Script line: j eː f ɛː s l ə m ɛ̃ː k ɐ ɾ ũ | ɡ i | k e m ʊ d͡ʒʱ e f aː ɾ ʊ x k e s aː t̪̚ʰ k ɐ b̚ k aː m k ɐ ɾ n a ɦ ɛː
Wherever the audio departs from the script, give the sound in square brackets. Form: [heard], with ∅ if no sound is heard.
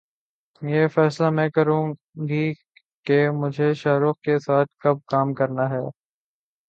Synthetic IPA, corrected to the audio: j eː f ɛː s l [a] m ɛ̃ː k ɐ ɾ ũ | ɡ i | k e m ʊ d͡ʒʱ e [ʃ] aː ɾ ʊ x k e s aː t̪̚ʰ k ɐ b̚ k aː m k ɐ ɾ n a ɦ ɛː